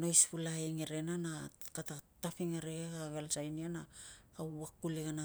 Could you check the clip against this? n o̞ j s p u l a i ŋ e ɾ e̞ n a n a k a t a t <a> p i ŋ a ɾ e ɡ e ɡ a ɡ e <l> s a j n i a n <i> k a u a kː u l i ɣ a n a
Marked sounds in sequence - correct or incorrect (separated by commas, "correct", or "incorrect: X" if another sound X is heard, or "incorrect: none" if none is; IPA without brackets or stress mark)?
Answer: correct, correct, incorrect: a